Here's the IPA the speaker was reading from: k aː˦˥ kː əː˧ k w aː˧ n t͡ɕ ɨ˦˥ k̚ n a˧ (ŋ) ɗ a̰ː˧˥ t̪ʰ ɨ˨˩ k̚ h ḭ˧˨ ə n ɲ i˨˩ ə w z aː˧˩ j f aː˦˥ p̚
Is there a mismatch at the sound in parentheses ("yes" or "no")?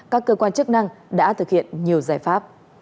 no